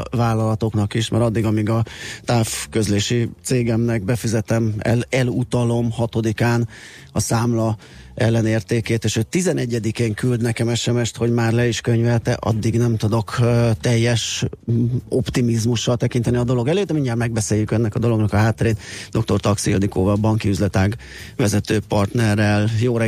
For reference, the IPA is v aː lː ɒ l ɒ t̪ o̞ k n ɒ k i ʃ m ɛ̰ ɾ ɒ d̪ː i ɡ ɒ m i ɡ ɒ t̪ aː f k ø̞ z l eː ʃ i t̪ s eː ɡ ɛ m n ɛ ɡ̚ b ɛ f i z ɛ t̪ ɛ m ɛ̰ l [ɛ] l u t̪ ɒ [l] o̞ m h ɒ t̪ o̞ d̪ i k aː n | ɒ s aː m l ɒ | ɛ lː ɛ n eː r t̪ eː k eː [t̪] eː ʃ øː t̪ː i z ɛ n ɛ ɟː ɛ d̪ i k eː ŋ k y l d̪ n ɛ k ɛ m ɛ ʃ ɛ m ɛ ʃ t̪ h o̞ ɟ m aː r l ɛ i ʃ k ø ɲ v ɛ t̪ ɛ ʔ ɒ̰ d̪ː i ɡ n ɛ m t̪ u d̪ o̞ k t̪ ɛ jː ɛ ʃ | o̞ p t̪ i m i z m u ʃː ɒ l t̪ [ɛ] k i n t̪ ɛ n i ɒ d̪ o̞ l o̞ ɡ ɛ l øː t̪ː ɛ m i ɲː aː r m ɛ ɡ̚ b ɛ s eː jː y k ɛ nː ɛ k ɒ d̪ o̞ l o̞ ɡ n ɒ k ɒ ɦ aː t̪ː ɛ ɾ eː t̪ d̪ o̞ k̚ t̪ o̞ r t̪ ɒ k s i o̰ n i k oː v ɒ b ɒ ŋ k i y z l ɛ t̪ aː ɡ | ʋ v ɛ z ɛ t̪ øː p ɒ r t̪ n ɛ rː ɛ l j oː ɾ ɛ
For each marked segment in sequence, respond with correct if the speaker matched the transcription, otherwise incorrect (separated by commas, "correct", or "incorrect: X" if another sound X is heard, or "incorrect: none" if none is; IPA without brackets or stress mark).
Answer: correct, correct, correct, correct